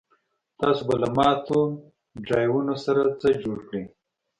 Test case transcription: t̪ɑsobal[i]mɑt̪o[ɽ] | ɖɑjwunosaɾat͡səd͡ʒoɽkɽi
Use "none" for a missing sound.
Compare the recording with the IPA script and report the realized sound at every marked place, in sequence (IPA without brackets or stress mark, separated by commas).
a, none